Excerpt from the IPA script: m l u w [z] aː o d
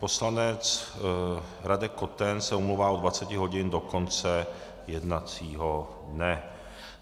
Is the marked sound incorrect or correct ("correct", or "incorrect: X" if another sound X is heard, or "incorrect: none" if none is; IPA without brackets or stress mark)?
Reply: incorrect: v